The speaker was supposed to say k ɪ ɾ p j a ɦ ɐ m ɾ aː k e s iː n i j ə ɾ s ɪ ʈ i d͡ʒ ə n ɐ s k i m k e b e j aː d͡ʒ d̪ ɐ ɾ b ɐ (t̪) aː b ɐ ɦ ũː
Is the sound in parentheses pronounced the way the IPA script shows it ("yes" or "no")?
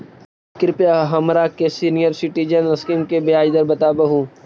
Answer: yes